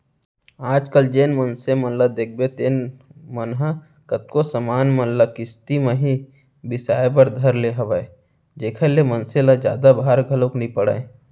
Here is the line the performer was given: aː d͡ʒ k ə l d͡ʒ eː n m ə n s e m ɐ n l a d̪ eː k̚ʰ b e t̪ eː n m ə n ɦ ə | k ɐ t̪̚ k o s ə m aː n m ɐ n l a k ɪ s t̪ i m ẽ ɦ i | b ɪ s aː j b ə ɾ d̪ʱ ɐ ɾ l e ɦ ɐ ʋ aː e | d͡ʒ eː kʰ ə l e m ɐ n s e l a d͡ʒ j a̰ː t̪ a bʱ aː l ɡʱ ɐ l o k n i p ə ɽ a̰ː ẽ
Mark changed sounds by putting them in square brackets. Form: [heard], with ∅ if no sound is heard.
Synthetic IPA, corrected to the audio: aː d͡ʒ k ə l d͡ʒ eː n m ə n s e m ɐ n l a d̪ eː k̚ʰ b e t̪ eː n m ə n ɦ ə | k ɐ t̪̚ k o s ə m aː n m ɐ n l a k ɪ s t̪ i m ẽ ɦ i | b ɪ s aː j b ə ɾ d̪ʱ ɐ ɾ l e ɦ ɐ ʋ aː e | d͡ʒ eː kʰ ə l e m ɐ n s e l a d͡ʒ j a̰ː [d̪] a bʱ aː [ɾ] ɡʱ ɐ l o k n i p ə ɽ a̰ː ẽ